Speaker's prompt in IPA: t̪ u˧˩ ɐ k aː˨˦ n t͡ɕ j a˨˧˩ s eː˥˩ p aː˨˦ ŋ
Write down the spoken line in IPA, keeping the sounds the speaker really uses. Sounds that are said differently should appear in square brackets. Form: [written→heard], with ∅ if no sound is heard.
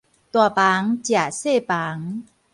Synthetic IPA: t̪ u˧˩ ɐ [k→p] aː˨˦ [n→ŋ] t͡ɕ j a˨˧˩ s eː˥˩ p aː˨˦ ŋ